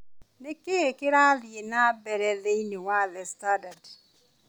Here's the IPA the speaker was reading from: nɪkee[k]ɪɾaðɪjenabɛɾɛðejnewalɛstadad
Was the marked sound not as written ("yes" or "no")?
no